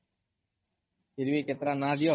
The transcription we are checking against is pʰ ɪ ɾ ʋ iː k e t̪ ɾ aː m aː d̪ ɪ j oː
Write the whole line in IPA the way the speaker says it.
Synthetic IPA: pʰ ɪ ɾ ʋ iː k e t̪ ɾ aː n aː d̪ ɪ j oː